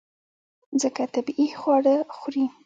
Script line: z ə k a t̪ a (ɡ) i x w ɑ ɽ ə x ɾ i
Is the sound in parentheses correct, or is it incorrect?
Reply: incorrect